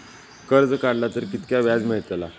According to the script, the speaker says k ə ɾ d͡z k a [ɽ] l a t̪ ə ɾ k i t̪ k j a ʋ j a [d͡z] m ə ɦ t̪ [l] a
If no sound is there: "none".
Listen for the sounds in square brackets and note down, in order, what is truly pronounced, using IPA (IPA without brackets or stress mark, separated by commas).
ɽ, d͡z, l